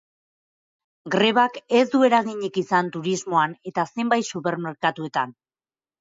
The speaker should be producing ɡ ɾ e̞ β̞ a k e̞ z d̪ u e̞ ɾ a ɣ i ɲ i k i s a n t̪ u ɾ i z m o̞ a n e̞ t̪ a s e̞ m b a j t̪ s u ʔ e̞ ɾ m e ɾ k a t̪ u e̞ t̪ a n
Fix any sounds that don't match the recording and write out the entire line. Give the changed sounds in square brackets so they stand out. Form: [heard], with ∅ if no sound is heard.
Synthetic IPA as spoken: ɡ ɾ e̞ β̞ a k e̞ z d̪ u e̞ ɾ a ɣ i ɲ i k i s a n t̪ u ɾ i z m o̞ a n e̞ t̪ a s e̞ m b a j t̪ s u [p] e̞ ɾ m e ɾ k a t̪ u e̞ t̪ a n